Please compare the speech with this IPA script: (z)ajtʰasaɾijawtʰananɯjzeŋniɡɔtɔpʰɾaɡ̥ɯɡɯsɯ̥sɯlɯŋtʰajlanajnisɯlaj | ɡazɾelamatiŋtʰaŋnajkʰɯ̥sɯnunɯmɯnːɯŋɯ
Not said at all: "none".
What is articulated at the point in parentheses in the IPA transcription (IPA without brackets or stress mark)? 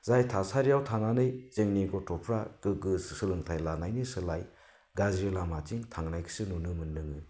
z